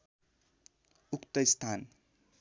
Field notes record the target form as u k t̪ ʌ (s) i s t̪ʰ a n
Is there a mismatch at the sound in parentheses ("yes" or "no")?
yes